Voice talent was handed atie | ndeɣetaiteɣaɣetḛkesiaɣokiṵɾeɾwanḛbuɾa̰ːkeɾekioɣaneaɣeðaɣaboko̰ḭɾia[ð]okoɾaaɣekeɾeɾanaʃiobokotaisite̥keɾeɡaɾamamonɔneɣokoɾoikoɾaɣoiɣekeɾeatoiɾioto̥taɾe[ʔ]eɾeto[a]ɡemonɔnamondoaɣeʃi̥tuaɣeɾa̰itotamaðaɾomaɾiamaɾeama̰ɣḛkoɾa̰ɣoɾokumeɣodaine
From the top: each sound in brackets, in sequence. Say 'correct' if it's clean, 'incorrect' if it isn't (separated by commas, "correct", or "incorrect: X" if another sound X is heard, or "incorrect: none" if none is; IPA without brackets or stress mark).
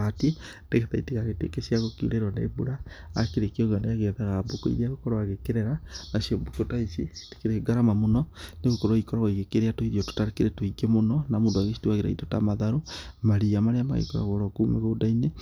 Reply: incorrect: ɣ, incorrect: k, incorrect: i